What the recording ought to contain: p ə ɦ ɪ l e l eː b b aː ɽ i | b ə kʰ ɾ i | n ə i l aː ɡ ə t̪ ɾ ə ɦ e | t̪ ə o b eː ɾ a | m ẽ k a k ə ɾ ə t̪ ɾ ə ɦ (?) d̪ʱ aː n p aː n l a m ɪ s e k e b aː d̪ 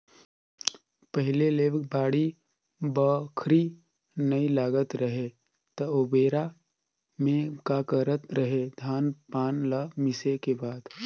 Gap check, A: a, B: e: B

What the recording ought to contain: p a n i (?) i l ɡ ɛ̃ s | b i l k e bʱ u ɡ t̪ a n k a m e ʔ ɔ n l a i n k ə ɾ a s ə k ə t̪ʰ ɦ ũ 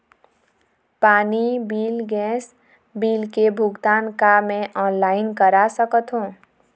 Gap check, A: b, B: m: A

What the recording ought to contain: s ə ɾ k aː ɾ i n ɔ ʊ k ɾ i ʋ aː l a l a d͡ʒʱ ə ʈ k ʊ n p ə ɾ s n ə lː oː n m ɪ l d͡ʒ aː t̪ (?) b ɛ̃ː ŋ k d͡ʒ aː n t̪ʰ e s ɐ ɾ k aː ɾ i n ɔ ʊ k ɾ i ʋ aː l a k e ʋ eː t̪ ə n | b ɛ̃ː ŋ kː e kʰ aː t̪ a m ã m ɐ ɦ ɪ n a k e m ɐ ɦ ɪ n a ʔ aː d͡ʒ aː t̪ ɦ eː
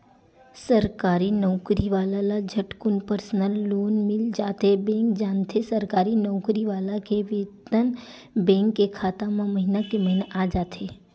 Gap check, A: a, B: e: B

